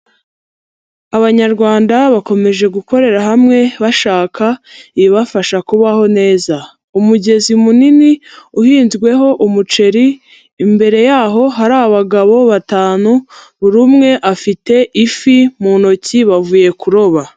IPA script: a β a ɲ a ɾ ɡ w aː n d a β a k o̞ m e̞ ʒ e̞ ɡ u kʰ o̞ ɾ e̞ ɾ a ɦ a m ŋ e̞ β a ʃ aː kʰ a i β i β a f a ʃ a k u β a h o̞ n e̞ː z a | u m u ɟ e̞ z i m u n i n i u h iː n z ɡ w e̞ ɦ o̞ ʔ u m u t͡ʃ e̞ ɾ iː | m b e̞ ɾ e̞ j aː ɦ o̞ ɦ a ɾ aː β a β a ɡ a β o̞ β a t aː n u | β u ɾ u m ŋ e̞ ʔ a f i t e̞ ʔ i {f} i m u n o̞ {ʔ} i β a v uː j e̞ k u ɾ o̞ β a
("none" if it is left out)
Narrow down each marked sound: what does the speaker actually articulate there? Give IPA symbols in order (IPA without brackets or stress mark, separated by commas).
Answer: f, c